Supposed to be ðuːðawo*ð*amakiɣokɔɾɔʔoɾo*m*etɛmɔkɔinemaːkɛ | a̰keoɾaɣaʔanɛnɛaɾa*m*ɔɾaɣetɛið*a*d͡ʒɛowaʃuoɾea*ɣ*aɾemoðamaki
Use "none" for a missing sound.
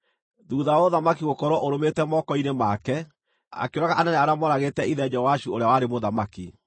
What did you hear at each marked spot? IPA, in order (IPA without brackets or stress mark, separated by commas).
ð, m, m, ɛ, w